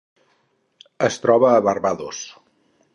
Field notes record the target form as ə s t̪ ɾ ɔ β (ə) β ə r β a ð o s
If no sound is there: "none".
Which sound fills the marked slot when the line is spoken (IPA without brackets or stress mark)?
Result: əː